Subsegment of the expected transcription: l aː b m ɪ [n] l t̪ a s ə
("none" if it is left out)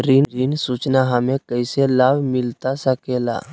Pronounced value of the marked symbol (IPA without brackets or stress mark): none